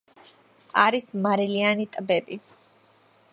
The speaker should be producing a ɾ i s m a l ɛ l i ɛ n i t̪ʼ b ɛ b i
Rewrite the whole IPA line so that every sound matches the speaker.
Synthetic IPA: a ɾ i s m a ɾ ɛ l i a n i t̪ʼ b ɛ b i